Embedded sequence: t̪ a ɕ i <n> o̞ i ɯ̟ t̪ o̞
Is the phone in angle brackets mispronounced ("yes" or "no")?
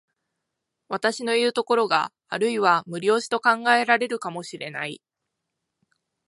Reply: no